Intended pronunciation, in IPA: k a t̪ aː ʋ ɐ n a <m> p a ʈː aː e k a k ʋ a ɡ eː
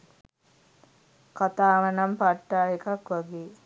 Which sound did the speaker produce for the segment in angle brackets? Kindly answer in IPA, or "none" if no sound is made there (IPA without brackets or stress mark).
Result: m